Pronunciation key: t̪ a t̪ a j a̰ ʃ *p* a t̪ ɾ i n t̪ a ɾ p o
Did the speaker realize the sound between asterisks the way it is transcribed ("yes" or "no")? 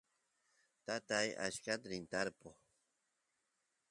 no